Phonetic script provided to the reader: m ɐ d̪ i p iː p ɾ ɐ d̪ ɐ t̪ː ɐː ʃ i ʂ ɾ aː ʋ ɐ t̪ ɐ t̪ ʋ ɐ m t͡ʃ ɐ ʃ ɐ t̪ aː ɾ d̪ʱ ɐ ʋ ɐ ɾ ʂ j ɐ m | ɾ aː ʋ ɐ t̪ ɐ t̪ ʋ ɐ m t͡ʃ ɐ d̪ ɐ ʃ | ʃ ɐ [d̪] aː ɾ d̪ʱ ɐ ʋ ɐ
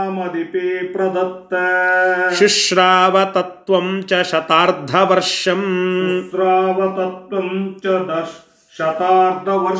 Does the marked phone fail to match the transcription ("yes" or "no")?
yes